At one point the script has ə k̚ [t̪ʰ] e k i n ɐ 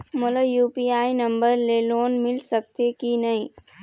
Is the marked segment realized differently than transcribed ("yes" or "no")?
yes